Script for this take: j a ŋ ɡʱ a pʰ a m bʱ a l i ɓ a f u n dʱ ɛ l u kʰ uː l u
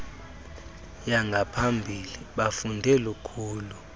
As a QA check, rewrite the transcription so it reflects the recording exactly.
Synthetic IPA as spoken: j a ŋ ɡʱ a pʰ a m bʱ i l i ɓ a f u n dʱ ɛ l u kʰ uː l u